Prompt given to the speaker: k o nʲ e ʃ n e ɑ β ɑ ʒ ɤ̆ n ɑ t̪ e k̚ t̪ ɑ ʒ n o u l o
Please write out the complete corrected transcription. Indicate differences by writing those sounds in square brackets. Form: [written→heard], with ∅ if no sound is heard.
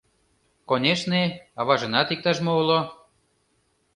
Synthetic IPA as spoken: k o nʲ e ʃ n e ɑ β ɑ ʒ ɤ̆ n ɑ t̪ [e→i] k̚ t̪ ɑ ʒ [n→m] o u l o